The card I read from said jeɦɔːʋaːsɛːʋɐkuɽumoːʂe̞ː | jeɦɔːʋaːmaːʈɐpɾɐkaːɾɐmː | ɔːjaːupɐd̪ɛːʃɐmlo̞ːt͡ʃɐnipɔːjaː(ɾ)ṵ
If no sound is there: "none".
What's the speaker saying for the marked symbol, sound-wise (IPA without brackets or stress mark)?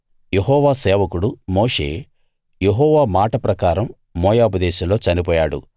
ɽ